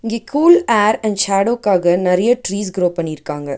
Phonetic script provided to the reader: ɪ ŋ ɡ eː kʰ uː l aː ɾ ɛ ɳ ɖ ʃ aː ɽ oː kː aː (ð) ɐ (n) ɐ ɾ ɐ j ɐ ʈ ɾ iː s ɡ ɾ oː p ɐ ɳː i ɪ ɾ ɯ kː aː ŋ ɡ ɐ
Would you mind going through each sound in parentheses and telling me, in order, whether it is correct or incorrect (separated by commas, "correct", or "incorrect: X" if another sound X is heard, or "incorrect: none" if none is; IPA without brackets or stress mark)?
incorrect: ɣ, correct